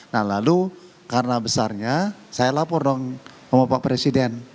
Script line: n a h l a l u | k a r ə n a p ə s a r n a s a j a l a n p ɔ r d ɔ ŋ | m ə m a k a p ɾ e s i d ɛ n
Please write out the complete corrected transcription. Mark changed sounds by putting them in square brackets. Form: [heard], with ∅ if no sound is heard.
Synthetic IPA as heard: n a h l a l u | k a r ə n a [b] ə s a r [ɲ] a s a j a l a [∅] p ɔ r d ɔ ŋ | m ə m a [p] a p ɾ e s i d ɛ n